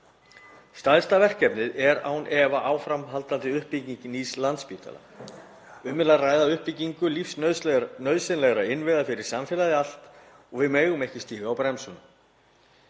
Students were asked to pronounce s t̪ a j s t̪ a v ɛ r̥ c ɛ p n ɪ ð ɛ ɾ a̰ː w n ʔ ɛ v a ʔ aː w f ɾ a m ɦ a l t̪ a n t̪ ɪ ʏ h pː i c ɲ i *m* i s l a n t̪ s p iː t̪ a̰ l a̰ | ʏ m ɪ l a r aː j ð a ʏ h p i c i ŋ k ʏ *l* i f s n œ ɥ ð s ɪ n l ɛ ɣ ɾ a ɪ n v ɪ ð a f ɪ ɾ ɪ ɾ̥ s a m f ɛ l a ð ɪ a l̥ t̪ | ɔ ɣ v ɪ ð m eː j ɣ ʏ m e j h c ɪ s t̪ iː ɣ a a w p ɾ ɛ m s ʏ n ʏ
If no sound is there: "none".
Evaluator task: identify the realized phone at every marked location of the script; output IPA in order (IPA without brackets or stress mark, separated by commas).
n, l